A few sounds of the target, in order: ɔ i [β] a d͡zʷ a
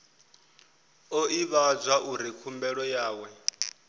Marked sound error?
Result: no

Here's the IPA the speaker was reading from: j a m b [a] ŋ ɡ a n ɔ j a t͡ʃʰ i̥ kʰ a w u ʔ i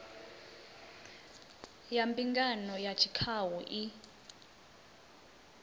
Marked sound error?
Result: yes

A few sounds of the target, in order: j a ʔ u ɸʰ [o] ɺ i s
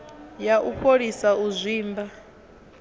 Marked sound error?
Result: no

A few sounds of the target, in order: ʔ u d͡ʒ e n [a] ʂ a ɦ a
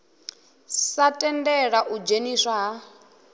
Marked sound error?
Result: yes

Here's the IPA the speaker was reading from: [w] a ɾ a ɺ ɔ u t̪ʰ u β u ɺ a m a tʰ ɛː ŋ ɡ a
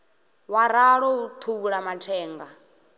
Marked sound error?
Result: no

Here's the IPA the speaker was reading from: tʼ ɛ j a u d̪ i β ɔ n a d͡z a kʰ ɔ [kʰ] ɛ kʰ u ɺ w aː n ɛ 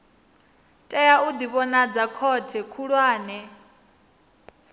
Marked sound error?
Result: yes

